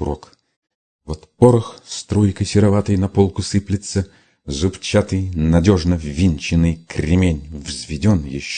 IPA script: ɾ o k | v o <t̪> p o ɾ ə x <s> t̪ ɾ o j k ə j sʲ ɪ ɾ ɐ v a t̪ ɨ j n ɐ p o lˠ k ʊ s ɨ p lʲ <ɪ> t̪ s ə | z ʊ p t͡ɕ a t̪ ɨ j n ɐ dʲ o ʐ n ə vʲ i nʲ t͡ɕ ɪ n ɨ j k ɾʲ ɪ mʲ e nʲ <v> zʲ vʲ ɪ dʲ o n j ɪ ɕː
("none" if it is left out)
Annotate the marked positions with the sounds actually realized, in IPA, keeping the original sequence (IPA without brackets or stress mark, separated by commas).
t̪, s, ɪ, v